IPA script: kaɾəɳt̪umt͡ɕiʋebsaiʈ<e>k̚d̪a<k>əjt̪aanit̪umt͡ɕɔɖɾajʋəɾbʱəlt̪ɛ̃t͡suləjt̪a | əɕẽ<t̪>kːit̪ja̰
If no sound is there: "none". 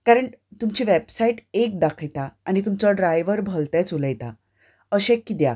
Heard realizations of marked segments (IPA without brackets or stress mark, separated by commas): e, kʰ, none